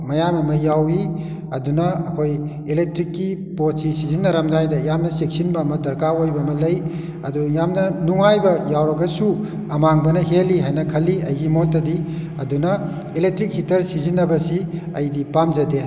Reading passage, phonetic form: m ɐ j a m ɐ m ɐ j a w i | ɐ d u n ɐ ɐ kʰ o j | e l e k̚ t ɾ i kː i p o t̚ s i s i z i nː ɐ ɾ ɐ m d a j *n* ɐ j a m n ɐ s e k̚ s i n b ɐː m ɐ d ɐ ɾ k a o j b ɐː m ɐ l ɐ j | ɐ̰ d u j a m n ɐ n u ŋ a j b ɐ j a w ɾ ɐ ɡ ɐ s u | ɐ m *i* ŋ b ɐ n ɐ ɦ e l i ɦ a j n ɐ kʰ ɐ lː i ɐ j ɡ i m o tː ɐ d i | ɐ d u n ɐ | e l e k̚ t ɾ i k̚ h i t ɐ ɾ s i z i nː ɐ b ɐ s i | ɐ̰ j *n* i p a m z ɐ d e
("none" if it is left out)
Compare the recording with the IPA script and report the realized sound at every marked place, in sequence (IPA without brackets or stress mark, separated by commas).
d, a, d